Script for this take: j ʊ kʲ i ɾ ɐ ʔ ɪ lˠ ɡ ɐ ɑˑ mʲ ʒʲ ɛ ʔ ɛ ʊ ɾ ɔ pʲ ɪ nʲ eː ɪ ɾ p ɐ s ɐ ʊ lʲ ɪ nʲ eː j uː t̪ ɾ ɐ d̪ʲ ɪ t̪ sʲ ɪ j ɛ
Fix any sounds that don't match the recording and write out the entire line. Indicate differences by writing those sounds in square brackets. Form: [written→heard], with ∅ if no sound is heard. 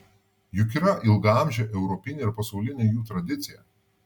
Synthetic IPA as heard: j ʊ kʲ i ɾ ɐ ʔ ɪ lˠ ɡ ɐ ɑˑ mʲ ʒʲ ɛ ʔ ɛ ʊ ɾ ɔ pʲ ɪ nʲ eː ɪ ɾ p ɐ s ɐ ʊ lʲ ɪ nʲ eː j uː t̪ ɾ ɐ d̪ʲ ɪ t̪ sʲ ɪ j ɛ